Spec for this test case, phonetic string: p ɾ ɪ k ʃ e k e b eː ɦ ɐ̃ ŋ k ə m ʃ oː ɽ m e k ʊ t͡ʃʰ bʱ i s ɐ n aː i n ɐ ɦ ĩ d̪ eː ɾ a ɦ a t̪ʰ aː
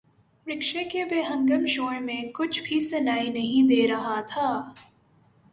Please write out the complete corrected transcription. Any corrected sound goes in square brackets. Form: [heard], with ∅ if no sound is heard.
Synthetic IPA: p ɾ ɪ k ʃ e k e b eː ɦ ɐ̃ ŋ [ɡ] ə m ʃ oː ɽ m [ẽ] k ʊ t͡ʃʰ bʱ i s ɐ n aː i n ɐ ɦ ĩ d̪ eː ɾ [ɐ] ɦ a t̪ʰ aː